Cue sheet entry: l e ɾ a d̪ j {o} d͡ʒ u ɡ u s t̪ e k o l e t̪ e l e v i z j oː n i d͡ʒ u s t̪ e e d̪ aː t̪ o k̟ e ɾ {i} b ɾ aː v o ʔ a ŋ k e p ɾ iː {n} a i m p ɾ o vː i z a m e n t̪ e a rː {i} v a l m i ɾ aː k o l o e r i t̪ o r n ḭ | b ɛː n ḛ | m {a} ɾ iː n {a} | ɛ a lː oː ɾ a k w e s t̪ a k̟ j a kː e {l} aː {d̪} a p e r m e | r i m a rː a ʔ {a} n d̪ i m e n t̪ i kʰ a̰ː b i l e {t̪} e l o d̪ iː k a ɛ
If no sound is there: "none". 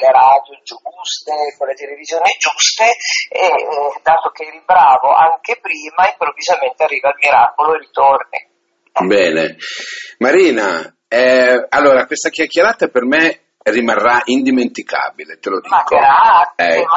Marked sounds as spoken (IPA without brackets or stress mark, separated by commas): o, i, m, iː, a, a, ɾ, t̪, i, t̪